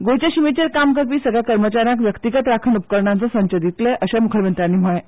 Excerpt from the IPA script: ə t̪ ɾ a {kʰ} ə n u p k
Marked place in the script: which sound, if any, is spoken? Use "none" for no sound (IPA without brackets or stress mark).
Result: kʰ